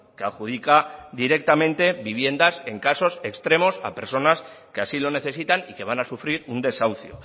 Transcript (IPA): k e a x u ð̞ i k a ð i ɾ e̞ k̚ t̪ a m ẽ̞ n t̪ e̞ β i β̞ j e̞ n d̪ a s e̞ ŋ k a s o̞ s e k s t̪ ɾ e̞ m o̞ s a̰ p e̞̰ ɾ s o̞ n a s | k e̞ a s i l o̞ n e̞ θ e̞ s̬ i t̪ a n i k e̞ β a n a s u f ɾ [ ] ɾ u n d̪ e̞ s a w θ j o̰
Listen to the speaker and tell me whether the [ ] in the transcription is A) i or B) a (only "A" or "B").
A